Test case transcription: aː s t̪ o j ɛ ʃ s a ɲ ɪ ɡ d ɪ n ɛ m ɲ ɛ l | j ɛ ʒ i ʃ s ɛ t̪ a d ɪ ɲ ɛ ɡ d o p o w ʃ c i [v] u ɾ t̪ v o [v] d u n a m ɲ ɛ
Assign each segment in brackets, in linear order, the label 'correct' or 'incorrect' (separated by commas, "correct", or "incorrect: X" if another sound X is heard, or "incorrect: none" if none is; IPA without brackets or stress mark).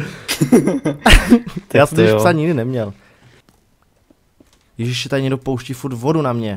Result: incorrect: f, incorrect: none